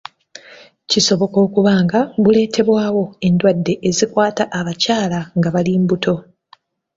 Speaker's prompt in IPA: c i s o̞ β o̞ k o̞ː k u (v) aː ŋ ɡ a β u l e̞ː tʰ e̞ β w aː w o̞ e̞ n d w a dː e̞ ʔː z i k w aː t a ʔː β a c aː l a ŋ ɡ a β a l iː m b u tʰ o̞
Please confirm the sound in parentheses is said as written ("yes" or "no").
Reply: no